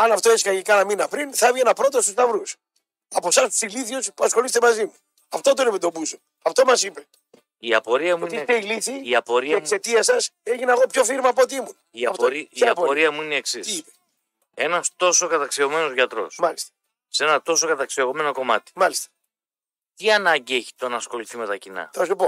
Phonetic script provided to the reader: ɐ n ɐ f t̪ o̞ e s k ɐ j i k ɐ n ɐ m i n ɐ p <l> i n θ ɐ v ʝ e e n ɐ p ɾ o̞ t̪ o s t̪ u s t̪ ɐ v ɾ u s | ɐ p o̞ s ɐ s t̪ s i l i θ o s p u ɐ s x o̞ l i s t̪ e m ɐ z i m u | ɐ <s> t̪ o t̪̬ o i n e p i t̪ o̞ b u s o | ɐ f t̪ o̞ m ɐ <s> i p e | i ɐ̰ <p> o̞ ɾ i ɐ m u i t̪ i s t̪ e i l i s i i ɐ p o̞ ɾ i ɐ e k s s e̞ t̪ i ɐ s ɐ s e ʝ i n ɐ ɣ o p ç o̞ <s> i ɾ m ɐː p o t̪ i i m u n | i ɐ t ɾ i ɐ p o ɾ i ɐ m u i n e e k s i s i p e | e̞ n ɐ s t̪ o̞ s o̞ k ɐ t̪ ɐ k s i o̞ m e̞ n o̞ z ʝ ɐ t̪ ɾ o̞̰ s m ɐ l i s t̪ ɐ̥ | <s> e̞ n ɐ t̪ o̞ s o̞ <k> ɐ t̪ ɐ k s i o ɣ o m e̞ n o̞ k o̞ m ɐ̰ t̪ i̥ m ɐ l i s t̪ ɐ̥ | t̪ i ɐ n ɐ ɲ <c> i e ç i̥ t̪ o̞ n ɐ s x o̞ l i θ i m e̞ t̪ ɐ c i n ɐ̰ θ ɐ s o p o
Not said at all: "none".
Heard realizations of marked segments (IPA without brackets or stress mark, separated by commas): ɾ, f, s, p, f, s, k, ɟ